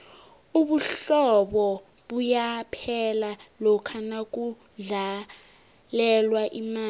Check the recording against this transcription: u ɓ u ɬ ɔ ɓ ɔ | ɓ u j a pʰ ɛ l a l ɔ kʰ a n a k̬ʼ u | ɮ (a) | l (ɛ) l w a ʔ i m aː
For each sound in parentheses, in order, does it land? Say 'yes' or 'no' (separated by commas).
yes, yes